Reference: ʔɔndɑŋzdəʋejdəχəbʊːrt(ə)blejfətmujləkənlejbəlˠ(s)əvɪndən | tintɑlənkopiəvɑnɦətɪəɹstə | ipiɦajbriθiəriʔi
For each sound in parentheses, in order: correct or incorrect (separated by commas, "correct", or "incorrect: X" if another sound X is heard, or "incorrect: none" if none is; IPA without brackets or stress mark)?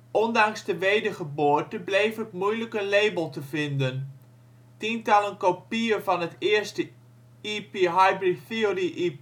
correct, incorrect: t